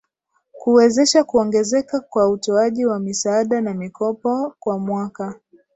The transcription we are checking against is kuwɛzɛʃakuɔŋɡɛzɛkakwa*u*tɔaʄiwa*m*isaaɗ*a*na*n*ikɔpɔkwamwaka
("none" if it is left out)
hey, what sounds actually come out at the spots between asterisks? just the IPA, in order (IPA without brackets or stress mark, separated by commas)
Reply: u, m, a, m